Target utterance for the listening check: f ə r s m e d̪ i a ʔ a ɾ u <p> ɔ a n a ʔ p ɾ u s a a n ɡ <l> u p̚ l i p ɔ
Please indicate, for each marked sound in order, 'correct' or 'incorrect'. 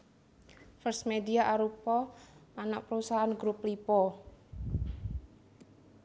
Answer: correct, incorrect: ɾ

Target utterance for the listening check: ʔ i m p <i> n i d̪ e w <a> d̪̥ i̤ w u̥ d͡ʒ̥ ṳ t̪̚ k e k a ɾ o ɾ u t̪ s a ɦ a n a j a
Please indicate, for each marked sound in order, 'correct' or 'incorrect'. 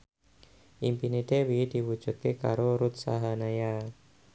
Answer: correct, incorrect: i

